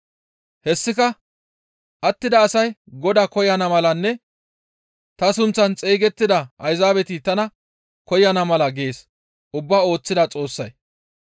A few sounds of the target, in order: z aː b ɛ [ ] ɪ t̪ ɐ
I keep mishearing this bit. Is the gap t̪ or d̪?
t̪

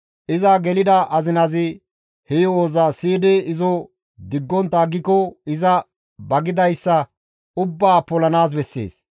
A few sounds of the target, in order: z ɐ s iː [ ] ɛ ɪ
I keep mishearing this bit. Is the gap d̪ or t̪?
d̪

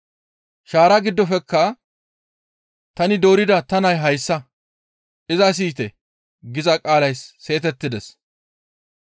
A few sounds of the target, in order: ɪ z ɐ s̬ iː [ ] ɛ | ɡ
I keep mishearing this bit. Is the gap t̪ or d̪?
t̪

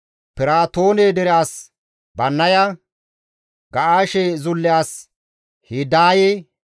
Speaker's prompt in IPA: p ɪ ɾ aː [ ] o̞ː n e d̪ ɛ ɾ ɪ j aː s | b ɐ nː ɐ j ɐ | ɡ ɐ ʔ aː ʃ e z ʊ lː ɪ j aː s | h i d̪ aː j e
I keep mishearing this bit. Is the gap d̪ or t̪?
t̪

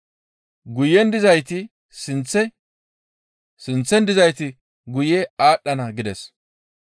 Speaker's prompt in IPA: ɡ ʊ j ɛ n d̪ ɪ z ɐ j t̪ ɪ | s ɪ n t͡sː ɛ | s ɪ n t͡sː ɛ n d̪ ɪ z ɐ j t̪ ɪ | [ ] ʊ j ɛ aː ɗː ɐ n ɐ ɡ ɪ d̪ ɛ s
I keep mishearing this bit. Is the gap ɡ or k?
ɡ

